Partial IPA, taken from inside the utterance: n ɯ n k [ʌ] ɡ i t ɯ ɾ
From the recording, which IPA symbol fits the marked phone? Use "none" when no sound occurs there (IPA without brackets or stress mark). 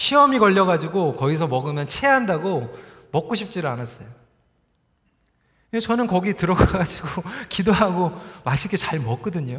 ʌ